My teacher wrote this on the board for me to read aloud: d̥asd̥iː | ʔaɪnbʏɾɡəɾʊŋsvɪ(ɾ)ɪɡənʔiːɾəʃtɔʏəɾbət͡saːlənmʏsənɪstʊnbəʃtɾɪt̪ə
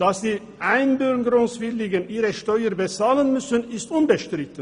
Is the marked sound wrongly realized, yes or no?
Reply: yes